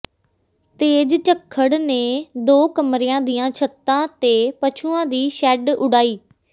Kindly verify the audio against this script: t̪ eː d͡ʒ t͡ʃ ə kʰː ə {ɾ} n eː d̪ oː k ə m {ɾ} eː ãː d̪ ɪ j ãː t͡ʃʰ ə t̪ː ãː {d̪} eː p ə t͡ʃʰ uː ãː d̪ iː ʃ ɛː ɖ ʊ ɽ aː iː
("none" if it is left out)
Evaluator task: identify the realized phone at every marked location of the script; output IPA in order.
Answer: ɽ, ɾ, t̪

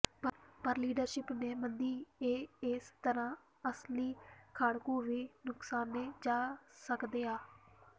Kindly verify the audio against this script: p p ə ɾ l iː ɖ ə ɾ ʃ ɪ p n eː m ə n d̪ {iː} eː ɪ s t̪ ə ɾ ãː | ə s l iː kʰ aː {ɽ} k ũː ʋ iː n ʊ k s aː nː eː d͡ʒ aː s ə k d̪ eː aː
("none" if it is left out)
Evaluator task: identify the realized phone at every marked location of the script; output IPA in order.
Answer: iː, ɽ

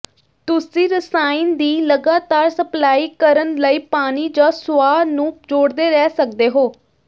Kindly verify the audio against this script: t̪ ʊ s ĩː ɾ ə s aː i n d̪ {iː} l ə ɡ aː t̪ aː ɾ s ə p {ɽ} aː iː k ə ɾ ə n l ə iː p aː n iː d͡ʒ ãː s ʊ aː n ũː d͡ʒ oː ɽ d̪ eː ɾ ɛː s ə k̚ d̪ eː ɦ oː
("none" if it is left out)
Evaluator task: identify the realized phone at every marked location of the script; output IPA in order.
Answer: iː, l

